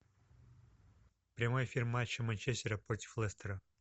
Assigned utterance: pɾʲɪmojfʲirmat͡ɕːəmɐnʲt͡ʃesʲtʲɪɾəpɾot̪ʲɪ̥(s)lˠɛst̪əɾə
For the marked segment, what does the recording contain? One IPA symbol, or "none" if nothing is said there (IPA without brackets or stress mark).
f